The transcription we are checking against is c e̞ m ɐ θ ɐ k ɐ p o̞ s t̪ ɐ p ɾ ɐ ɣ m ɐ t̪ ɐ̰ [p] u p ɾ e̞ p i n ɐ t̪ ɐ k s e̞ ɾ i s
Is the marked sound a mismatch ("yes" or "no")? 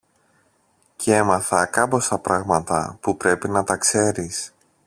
no